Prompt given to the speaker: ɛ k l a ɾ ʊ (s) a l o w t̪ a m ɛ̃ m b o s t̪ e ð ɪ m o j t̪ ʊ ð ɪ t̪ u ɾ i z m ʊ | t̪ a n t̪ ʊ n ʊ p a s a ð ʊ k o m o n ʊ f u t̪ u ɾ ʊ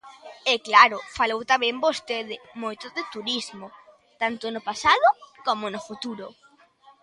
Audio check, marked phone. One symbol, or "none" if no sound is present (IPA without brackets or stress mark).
f